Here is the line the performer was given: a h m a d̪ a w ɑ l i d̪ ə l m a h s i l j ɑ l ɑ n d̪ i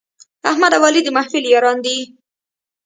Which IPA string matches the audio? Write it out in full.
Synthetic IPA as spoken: a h m a d̪ a w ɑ l i d̪ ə m a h f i l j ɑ ɾ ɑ n d̪ i